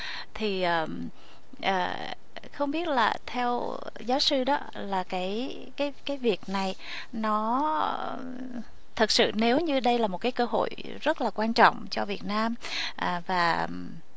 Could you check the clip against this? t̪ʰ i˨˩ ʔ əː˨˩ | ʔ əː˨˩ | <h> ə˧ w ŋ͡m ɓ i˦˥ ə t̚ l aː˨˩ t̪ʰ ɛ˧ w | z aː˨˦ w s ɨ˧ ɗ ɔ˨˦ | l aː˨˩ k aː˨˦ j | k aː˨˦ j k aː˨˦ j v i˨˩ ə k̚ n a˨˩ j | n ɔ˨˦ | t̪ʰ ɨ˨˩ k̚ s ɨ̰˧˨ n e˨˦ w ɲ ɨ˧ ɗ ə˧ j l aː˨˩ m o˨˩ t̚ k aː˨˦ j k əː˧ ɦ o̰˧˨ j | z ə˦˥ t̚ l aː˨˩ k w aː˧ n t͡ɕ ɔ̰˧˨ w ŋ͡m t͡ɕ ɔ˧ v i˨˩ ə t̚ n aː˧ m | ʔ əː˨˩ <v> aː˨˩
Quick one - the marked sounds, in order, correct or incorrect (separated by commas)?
incorrect, correct